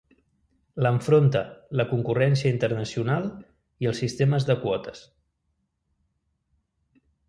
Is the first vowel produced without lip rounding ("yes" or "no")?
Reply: yes